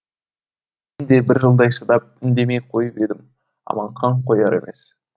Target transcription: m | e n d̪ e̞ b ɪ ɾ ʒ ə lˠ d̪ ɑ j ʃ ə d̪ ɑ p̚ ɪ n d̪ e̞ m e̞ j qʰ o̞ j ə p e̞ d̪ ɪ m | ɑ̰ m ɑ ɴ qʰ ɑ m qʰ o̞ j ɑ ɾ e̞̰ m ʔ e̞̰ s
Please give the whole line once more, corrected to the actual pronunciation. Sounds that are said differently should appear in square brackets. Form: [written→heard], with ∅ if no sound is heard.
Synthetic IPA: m | e n d̪ e̞ b ɪ ɾ ʒ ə lˠ d̪ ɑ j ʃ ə d̪ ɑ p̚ ɪ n d̪ e̞ m e̞ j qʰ o̞ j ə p e̞ d̪ ɪ m | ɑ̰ m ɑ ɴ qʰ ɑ [m→ɴ] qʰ o̞ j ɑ ɾ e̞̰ m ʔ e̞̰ s